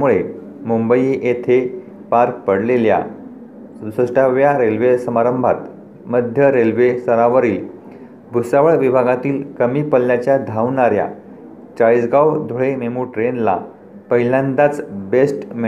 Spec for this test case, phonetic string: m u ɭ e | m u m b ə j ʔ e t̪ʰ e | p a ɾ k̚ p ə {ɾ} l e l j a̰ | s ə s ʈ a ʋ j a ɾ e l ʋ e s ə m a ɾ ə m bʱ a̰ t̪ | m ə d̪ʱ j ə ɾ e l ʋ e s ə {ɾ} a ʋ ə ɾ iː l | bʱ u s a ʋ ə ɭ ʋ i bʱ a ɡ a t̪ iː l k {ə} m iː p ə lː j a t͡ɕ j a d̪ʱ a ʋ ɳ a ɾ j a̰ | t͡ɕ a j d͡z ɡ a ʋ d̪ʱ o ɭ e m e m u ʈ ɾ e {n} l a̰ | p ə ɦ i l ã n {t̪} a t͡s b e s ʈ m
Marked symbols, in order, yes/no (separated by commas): no, yes, yes, yes, no